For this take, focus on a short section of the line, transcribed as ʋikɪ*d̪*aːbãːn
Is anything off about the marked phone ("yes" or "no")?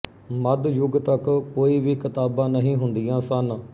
yes